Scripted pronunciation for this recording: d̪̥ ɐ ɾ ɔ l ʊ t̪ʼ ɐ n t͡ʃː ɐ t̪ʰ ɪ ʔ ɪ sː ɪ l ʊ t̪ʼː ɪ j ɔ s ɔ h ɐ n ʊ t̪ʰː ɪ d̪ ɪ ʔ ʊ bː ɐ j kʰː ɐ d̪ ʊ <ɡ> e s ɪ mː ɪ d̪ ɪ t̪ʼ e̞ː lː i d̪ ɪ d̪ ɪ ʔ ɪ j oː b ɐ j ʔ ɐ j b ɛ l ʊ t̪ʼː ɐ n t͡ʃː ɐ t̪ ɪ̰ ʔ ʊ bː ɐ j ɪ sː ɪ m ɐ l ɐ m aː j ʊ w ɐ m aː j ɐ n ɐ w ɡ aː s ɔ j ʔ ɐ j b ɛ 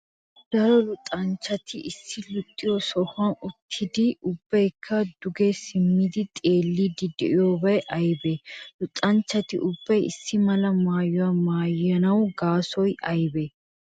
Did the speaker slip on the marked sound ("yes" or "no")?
no